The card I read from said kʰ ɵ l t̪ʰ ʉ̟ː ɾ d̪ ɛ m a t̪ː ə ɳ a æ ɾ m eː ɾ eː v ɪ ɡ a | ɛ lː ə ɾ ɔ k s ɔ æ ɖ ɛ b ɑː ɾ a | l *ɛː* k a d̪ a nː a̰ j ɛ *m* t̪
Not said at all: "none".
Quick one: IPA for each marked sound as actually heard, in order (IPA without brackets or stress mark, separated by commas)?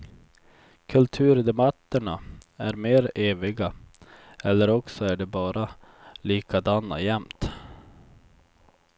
iː, m